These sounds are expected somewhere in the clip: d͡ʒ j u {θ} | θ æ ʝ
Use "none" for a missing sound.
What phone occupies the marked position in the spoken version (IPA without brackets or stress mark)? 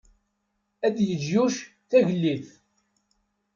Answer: ʃ